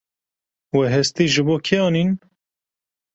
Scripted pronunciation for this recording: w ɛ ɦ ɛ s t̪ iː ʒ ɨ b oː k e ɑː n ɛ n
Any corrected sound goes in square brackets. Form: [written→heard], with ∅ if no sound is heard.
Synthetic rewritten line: w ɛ ɦ ɛ s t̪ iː ʒ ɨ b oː [k→kʰ] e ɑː n [ɛ→i] n